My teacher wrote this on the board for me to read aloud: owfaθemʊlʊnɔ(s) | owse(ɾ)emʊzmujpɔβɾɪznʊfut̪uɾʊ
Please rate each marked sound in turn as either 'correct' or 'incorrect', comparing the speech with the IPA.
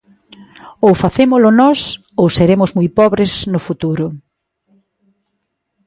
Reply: correct, correct

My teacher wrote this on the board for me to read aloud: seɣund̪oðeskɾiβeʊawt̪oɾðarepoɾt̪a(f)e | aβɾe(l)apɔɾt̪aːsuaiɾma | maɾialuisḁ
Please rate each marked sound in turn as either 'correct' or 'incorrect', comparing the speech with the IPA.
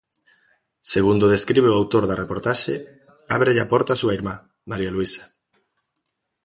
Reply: incorrect: ʃ, incorrect: ʎ

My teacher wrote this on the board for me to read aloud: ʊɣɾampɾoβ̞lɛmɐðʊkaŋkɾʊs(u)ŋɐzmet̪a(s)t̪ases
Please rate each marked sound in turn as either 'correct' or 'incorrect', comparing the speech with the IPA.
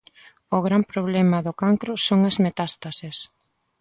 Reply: incorrect: o, correct

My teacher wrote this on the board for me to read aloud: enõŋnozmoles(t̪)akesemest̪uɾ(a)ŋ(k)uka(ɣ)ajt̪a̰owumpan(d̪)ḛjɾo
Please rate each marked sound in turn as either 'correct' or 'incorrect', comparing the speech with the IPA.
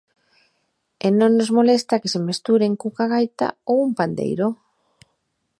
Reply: correct, incorrect: e, correct, correct, correct

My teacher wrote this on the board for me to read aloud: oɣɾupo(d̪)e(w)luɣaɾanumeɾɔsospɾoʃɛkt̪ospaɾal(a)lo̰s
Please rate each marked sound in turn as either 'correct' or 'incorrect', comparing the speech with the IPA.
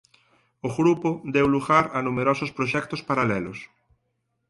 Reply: correct, correct, incorrect: ɛ

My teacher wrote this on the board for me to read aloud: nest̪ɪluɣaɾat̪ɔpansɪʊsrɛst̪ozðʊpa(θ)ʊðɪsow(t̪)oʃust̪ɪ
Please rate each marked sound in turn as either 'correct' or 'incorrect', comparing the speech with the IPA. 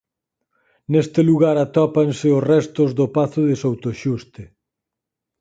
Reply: correct, correct

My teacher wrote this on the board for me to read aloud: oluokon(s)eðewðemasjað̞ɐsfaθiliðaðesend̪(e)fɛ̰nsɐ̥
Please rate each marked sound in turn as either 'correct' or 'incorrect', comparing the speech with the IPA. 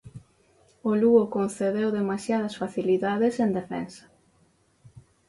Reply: incorrect: θ, correct

